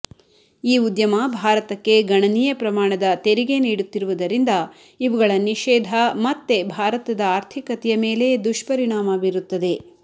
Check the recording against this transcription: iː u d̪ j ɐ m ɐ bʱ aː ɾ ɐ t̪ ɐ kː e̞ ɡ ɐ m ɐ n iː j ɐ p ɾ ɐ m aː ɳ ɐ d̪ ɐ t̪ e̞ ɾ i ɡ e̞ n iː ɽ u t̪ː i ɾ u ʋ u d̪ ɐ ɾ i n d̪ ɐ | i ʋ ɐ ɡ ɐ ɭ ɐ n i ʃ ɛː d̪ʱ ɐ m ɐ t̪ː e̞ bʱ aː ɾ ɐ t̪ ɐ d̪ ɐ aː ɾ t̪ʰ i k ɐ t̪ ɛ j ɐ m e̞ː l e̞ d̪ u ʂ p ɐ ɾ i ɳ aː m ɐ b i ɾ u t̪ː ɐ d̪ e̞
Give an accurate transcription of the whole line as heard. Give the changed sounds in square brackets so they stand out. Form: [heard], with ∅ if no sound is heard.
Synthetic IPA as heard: iː u d̪ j ɐ m ɐ bʱ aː ɾ ɐ t̪ ɐ kː e̞ ɡ ɐ [ɳ] ɐ n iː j ɐ p ɾ ɐ m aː ɳ ɐ d̪ ɐ t̪ e̞ ɾ i ɡ e̞ n iː ɽ u t̪ː i ɾ u ʋ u d̪ ɐ ɾ i n d̪ ɐ | i ʋ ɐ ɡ ɐ ɭ ɐ n i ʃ ɛː d̪ʱ ɐ m ɐ t̪ː e̞ bʱ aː ɾ ɐ t̪ ɐ d̪ ɐ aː ɾ t̪ʰ i k ɐ t̪ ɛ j ɐ m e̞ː l e̞ d̪ u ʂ p ɐ ɾ i ɳ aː m ɐ b i ɾ u t̪ː ɐ d̪ e̞